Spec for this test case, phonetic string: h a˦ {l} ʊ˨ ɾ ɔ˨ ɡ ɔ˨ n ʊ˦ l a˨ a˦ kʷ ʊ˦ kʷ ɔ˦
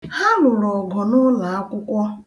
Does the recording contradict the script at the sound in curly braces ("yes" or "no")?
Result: no